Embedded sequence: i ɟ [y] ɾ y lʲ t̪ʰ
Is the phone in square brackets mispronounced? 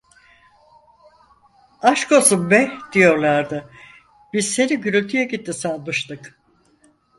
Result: no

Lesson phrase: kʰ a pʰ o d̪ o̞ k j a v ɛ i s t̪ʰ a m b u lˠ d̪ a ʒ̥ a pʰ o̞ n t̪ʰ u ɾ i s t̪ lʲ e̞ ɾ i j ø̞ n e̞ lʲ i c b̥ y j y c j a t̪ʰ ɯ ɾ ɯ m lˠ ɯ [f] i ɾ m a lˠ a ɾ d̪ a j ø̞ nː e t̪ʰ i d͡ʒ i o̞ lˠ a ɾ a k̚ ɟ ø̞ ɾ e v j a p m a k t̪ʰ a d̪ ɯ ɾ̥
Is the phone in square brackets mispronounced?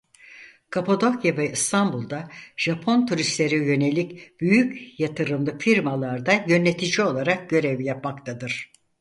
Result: no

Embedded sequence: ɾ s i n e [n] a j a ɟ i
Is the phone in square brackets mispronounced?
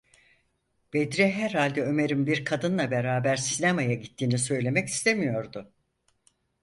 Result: yes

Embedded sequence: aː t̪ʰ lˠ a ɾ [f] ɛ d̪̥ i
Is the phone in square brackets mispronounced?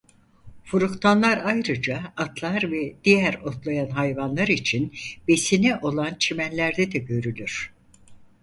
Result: yes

